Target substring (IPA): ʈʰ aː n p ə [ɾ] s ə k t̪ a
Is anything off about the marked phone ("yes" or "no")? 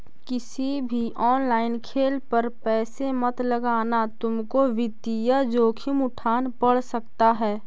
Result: yes